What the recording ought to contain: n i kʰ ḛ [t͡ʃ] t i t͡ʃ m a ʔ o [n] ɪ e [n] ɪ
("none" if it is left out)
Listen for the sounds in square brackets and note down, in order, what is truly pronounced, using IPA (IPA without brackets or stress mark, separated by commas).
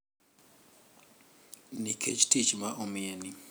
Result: t͡ʃ, m, n